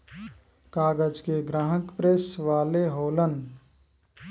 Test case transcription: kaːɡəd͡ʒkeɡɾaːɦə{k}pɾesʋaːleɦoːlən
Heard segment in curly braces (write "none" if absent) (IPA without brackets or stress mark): k